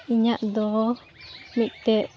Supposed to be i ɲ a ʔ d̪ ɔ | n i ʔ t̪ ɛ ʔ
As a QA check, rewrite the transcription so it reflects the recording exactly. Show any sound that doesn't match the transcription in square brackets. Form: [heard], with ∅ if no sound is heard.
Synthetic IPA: i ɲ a ʔ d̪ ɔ | [m] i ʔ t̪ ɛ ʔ